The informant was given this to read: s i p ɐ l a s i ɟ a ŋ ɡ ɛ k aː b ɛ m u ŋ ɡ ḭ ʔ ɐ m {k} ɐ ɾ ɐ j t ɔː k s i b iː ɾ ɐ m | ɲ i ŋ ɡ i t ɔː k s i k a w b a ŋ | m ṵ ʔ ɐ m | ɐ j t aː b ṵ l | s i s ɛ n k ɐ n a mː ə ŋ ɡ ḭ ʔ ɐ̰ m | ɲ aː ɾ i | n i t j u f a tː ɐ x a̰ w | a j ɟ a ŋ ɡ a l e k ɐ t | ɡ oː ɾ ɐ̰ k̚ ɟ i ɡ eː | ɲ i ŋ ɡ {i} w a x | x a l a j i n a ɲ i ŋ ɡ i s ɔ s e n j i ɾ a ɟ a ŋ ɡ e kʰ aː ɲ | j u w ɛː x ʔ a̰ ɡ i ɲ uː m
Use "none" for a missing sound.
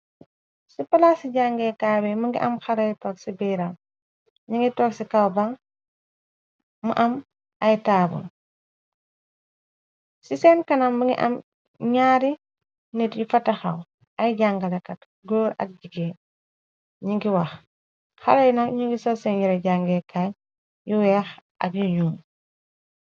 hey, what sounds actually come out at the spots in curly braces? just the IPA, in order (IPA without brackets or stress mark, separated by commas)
x, i